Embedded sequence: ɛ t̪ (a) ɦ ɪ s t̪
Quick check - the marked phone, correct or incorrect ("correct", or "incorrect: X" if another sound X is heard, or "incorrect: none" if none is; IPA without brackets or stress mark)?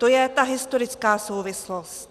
correct